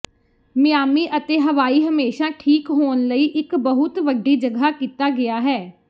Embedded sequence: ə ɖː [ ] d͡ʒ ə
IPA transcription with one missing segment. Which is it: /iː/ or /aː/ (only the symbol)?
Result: iː